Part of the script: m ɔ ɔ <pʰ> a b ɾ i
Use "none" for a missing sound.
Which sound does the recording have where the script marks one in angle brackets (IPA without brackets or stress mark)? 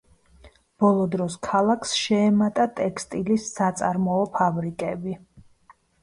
pʰ